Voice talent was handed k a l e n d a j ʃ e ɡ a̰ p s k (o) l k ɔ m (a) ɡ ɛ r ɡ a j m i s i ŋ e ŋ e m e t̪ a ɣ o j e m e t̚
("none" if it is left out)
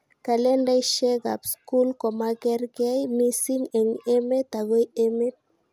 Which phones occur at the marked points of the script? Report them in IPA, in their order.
u, a

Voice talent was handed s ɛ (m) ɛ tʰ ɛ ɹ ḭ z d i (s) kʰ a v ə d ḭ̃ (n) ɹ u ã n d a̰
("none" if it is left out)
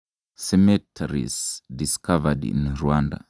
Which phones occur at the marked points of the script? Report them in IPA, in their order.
m, s, n

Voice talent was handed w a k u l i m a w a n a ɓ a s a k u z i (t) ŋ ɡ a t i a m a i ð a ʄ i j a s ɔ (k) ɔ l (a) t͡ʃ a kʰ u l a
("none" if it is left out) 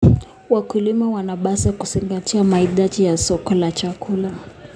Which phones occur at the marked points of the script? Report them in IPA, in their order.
none, k, a

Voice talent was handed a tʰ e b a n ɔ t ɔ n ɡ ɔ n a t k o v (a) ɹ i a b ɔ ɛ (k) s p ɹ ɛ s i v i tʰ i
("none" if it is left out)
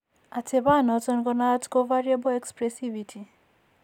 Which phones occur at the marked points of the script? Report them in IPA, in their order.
a, k

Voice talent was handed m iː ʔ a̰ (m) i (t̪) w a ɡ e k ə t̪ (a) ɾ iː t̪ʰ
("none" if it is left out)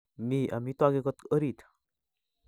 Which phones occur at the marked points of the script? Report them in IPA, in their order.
m, t̪, ə

